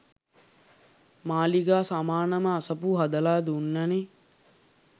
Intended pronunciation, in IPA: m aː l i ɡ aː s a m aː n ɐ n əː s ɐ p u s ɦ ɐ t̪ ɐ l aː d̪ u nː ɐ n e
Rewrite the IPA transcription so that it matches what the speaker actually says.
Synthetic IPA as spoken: m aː l i ɡ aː s a m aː n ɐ m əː s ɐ p u ɦ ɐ d̪ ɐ l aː d̪ u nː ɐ n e